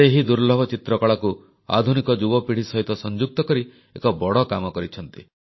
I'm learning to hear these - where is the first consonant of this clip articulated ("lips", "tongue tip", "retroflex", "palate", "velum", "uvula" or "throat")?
throat